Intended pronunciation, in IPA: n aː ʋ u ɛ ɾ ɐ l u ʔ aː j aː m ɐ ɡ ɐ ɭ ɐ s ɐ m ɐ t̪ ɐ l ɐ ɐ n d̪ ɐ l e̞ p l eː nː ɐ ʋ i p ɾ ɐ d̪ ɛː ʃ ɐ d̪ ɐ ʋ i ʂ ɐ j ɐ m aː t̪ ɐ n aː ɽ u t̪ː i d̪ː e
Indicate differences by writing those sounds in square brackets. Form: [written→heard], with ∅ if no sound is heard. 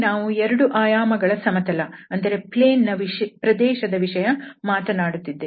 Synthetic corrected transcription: n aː ʋ u ɛ ɾ ɐ [l→ɽ] u ʔ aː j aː m ɐ ɡ ɐ ɭ ɐ s ɐ m ɐ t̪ ɐ l ɐ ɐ n d̪ ɐ [l→ɾ] e̞ p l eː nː ɐ ʋ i p ɾ ɐ d̪ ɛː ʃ ɐ d̪ ɐ ʋ i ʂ ɐ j ɐ m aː t̪ ɐ n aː ɽ u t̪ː i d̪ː e